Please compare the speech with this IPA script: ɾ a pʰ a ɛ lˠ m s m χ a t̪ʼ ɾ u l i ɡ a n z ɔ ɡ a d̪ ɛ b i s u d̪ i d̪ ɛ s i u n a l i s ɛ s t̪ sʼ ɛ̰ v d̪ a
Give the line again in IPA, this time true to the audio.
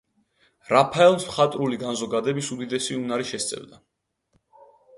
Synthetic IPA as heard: ɾ a pʰ a ɛ lˠ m s m χ a t̪ʼ ɾ u l i ɡ a n z ɔ ɡ a d̪ ɛ b i s u d̪ i d̪ ɛ s i u n a ɾ i ʃ ɛ s t̪ sʼ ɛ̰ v d̪ a